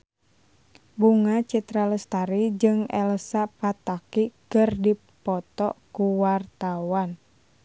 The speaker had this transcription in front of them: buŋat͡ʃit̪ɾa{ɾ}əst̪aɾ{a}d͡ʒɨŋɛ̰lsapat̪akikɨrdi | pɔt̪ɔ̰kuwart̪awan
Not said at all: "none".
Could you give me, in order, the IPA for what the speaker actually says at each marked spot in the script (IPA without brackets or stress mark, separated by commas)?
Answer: l, i